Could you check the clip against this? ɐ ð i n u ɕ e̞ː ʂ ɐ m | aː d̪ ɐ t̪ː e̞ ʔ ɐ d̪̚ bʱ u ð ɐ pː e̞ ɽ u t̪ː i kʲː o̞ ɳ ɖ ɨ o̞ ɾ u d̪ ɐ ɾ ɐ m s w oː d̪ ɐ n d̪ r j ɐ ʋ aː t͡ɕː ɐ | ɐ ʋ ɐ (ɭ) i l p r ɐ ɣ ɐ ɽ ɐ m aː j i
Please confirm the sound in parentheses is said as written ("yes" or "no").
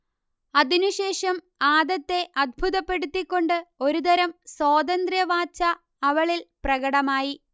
yes